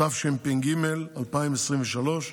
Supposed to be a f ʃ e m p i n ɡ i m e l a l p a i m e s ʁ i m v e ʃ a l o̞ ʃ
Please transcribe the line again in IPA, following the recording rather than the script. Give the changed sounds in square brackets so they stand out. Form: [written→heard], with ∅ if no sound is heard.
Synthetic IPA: a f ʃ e m p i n ɡ i m e l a l p a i m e s ʁ i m v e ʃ a l o̞ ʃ